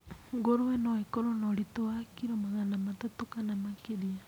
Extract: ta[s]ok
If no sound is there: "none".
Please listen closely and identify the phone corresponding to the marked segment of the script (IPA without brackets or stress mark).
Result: t